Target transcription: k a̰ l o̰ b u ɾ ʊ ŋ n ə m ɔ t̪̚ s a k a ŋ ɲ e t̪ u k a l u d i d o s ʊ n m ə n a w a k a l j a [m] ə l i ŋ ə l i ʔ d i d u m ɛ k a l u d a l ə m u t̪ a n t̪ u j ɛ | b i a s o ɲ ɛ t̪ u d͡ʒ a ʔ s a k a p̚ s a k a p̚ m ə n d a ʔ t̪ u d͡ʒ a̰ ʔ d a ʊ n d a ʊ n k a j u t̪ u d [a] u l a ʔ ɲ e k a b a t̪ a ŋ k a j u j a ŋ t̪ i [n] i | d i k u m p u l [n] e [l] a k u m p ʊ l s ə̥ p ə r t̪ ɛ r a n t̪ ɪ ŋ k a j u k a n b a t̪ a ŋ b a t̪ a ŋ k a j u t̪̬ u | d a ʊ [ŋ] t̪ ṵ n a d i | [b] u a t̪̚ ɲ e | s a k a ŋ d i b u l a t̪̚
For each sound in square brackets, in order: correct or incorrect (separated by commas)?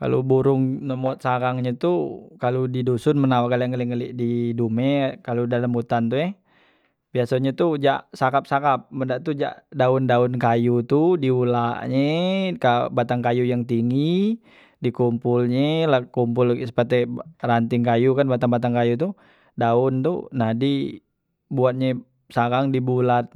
incorrect, incorrect, incorrect, incorrect, correct, incorrect, correct